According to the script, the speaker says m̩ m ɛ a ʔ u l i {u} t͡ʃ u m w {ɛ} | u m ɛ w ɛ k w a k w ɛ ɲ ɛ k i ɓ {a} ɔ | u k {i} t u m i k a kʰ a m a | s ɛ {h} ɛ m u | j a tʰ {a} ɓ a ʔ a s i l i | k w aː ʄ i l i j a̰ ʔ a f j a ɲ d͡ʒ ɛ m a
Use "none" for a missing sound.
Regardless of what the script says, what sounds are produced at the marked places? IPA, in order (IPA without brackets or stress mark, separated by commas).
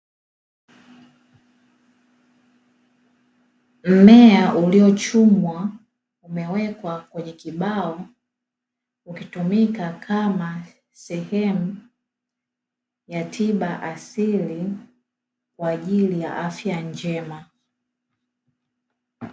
ɔ, a, a, i, h, i